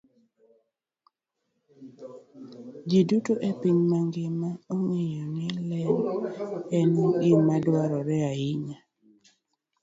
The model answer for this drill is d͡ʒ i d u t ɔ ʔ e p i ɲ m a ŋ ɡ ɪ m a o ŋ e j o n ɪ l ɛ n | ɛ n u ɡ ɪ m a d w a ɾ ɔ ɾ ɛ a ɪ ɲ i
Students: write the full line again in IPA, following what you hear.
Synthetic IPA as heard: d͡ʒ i d u t o ʔ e p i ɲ m a ŋ ɡ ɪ m a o ŋ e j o n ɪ l ɛ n | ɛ n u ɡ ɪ m a d w a ɾ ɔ ɾ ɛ a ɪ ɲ a